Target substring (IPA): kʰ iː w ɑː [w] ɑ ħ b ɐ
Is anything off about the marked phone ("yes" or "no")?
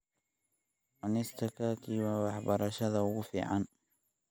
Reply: no